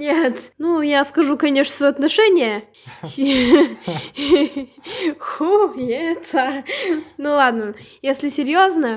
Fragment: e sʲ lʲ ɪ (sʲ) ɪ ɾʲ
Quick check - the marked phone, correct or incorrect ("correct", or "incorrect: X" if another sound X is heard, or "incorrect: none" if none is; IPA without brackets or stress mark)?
correct